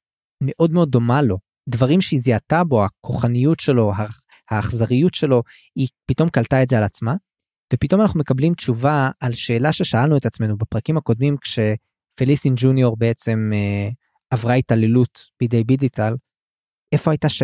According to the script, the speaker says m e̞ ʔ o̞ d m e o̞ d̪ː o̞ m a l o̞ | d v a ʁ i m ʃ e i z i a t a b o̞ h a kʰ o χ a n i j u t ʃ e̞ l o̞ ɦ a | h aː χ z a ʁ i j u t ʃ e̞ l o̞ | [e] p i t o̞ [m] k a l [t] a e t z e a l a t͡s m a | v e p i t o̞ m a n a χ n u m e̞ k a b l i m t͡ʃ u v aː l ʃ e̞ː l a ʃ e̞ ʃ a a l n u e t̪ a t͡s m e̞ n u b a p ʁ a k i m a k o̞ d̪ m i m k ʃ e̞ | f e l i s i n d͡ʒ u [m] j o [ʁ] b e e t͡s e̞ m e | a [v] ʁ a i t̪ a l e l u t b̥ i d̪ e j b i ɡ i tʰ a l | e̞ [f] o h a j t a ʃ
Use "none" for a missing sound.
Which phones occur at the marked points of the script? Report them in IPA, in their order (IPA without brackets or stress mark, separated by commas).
i, m, t, n, ʁ, v, f